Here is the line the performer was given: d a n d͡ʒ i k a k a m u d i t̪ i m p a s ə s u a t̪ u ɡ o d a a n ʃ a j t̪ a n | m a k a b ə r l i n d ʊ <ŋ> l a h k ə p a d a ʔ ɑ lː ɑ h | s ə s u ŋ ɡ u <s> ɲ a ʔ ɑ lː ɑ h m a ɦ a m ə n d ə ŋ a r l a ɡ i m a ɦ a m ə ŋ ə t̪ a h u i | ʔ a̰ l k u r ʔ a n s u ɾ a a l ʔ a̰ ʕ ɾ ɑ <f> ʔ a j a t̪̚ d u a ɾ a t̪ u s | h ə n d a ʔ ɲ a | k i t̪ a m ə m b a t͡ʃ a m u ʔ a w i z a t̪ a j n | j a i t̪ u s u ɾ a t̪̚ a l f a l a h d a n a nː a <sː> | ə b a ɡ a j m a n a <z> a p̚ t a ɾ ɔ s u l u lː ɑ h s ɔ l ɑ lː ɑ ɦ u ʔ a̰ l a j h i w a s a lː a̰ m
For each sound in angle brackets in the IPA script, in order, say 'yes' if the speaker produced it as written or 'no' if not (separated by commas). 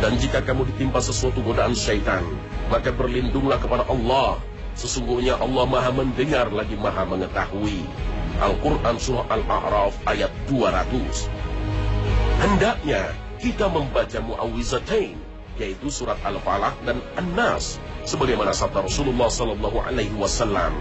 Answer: yes, no, yes, yes, no